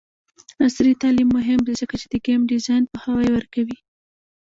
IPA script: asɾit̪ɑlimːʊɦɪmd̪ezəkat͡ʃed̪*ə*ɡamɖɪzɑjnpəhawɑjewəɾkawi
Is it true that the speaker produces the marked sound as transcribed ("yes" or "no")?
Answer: yes